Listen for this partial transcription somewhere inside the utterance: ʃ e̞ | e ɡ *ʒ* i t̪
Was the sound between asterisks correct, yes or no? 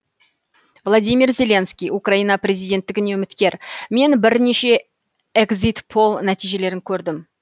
no